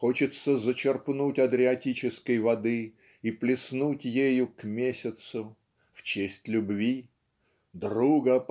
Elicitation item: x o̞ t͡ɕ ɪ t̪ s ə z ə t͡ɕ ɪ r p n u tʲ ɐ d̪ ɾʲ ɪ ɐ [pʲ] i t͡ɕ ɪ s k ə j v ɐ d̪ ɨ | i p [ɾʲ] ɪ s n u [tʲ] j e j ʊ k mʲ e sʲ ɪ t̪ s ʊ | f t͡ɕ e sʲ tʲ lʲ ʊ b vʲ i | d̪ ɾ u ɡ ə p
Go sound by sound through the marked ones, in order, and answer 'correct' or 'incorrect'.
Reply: incorrect: tʲ, incorrect: lʲ, correct

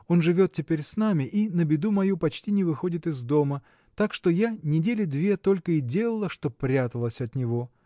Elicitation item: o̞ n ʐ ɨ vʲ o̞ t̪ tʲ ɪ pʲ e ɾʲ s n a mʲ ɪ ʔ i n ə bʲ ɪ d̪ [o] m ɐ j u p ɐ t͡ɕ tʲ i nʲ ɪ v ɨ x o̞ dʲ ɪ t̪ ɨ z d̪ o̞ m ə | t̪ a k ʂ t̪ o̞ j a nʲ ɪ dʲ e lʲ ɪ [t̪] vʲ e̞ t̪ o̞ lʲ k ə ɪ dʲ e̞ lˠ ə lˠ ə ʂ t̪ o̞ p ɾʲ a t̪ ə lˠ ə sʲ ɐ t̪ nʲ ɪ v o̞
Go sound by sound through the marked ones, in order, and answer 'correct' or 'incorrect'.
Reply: incorrect: u, incorrect: d̪

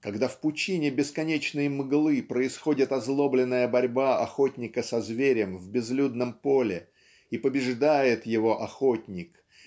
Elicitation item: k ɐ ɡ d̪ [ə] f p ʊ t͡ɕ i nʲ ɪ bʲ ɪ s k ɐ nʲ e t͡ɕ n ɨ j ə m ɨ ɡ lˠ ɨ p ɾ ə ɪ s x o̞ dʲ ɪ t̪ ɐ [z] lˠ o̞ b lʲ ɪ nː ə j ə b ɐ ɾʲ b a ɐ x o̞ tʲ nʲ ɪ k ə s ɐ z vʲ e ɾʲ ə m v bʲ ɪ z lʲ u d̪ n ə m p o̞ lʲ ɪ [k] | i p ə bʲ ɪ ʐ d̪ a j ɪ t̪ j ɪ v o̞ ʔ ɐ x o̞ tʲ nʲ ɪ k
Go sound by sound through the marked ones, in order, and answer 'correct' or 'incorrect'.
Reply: incorrect: a, correct, incorrect: none

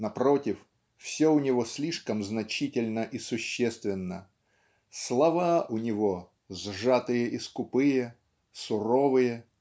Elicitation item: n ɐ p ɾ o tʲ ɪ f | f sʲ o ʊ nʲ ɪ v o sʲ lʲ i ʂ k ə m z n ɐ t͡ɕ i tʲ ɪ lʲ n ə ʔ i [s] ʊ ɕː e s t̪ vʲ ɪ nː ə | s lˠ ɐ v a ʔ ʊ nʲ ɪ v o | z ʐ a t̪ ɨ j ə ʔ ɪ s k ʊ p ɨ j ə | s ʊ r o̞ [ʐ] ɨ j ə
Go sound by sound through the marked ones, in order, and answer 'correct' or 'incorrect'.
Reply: correct, incorrect: v

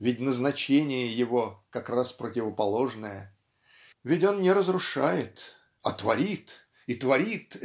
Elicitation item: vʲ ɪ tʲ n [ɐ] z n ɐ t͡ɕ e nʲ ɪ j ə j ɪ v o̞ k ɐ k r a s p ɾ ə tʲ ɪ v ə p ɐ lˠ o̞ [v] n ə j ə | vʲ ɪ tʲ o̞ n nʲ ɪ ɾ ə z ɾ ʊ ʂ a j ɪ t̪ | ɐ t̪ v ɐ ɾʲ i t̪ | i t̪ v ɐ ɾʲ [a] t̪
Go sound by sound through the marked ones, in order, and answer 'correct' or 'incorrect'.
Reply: incorrect: ə, incorrect: ʐ, incorrect: i

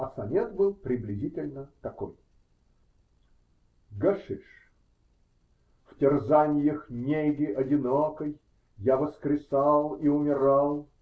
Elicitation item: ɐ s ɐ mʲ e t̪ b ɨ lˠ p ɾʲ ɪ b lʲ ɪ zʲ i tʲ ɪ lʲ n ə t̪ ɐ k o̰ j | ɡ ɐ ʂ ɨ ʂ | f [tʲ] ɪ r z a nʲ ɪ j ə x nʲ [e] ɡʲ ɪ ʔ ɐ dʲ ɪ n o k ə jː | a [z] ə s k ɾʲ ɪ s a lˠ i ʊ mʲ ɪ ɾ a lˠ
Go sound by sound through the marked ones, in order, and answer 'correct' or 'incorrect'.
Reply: correct, correct, incorrect: v

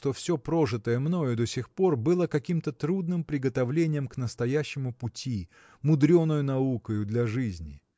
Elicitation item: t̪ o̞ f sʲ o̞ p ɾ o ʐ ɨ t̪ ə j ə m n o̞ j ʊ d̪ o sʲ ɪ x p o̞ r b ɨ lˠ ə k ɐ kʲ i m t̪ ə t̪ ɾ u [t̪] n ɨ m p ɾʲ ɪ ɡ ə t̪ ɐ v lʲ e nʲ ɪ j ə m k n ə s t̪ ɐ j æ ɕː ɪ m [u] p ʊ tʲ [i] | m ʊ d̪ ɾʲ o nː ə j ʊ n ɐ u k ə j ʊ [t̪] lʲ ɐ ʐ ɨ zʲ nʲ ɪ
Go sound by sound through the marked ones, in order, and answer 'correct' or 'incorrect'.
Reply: incorrect: d̪, incorrect: ʊ, correct, incorrect: d̪

